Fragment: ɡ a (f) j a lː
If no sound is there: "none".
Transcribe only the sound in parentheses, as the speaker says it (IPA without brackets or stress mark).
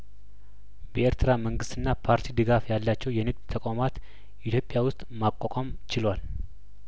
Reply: f